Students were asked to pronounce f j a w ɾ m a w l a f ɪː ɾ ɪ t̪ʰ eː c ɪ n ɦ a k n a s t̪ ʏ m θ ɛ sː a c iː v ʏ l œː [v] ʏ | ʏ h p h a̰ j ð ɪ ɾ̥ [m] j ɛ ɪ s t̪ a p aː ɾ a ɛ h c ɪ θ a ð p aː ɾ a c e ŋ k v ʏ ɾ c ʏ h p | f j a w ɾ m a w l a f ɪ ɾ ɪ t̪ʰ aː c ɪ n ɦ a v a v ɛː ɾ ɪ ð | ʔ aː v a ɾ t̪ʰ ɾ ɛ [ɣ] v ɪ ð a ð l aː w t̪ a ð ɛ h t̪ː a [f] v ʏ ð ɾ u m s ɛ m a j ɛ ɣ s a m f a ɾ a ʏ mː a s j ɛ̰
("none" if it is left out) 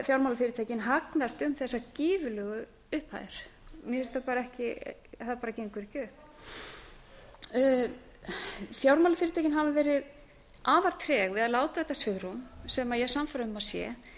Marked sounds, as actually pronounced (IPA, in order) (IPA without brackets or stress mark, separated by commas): ɣ, m, ɣ, s